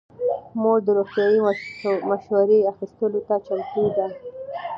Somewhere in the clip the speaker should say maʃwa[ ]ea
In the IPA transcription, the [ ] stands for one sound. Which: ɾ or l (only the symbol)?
ɾ